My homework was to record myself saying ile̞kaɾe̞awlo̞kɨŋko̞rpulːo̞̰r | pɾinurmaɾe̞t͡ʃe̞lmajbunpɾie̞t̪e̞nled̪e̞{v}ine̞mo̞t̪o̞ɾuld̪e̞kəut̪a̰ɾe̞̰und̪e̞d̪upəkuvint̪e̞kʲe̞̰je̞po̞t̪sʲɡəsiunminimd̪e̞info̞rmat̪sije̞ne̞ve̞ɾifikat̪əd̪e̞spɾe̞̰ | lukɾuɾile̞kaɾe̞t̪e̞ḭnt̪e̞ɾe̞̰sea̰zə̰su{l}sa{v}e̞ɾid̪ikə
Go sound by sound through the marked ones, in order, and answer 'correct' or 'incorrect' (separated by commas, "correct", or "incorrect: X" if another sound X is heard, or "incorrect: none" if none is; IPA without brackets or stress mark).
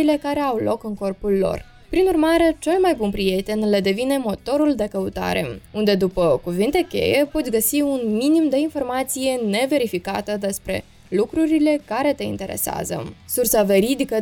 correct, incorrect: r, correct